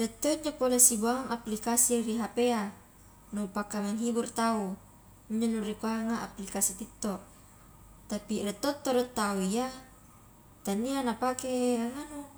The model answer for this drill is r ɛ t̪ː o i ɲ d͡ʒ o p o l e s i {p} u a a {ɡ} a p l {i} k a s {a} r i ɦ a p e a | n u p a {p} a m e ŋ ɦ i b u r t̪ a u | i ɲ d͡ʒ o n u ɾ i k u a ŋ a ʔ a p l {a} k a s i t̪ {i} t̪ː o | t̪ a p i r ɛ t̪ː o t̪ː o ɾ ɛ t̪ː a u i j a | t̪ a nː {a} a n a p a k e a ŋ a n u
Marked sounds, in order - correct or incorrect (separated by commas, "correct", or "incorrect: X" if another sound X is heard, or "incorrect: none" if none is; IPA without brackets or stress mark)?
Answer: incorrect: b, incorrect: ŋ, correct, incorrect: i, incorrect: k, incorrect: i, correct, incorrect: i